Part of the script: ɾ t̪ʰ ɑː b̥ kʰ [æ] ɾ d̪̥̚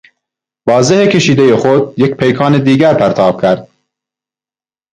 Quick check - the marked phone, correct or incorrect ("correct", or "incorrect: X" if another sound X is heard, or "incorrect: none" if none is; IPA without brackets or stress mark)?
correct